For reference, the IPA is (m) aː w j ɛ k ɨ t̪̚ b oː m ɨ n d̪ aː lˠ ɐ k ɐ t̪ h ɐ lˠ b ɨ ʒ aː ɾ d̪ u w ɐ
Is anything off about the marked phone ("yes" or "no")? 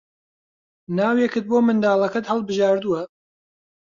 yes